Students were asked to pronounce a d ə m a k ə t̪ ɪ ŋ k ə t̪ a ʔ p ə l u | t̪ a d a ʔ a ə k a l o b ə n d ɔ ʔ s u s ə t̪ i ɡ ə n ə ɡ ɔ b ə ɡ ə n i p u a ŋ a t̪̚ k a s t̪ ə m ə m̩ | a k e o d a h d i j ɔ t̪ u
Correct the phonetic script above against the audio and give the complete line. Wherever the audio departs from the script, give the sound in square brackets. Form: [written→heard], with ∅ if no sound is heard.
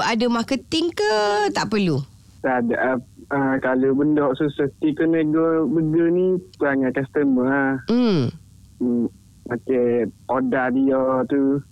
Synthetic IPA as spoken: a d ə m a k ə t̪ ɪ ŋ k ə t̪ a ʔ p ə l u | t̪ a d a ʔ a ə k a l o b ə n d ɔ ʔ s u s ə t̪ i [ɡ→k] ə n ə ɡ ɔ b ə ɡ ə n i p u a ŋ a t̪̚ k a s t̪ ə m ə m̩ | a k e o d a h d i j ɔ t̪ u